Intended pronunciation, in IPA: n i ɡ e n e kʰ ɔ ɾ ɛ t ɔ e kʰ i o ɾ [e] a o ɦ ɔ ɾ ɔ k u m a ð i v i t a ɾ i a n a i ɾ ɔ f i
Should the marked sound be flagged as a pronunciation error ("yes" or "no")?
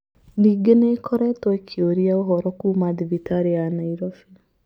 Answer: yes